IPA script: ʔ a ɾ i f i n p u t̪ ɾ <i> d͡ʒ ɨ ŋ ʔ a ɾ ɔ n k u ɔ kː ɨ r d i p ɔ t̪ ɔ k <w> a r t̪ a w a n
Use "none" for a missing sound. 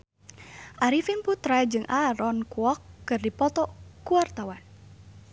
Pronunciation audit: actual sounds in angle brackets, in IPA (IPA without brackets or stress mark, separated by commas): a, u